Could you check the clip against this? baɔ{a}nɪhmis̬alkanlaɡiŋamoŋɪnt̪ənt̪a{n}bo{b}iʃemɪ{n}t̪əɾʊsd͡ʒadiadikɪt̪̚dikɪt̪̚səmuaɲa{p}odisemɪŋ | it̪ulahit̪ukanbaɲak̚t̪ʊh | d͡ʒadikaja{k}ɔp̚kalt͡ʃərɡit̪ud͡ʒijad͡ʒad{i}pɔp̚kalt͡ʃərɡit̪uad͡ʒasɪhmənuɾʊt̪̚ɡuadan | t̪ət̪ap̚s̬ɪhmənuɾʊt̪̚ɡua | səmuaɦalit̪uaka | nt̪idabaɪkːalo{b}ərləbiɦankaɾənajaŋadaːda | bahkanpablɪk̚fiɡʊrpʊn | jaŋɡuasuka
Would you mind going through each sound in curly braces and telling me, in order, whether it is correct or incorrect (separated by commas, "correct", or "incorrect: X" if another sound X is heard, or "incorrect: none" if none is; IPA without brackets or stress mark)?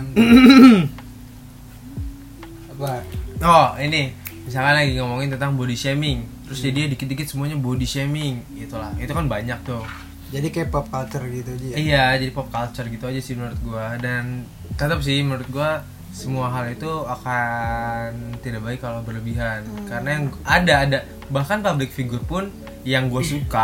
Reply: incorrect: i, incorrect: ŋ, incorrect: d, incorrect: ŋ, incorrect: b, incorrect: p, correct, correct